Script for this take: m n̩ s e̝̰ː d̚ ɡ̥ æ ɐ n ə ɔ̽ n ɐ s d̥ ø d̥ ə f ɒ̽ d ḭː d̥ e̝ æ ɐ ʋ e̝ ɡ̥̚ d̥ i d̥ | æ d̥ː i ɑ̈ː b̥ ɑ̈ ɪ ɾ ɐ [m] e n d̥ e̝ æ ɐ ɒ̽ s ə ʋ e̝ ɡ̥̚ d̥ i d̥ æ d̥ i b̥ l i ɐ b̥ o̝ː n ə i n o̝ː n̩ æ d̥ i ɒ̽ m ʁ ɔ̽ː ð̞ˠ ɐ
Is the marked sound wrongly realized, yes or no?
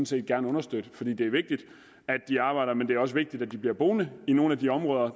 no